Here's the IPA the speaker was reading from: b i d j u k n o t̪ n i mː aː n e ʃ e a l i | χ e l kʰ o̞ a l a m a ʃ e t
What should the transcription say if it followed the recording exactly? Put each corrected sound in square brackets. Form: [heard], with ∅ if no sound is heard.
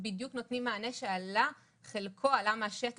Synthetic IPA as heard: b i d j u k n o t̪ n i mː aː n e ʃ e a l [a] | χ e l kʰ o̞ a l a m a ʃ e t